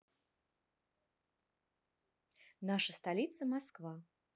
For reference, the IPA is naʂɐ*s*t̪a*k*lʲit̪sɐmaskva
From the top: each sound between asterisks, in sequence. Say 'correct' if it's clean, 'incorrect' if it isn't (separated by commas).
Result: correct, incorrect